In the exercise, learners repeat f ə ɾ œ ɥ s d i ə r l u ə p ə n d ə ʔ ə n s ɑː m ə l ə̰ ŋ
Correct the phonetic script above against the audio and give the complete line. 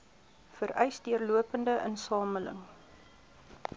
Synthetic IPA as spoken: f ə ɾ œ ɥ s d i ə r l u ə p ə n d ə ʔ ə n s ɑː m ə l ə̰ ŋ